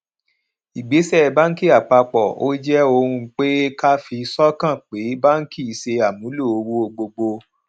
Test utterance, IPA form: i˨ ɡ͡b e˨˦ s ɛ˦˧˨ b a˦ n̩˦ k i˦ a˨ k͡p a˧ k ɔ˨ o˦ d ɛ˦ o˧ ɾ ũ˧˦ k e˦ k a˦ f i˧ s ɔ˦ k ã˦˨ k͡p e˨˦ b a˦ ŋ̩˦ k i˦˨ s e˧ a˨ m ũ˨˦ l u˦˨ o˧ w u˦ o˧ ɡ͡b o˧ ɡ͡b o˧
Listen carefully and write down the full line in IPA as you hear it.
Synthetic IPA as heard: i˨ ɡ͡b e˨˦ s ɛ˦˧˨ b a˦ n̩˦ k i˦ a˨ k͡p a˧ k͡p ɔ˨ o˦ d͡ʒ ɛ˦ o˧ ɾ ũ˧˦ k͡p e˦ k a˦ f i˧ s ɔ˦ k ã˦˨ k͡p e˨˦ b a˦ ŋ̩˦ k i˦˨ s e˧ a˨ m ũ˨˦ l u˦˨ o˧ w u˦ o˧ ɡ͡b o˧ ɡ͡b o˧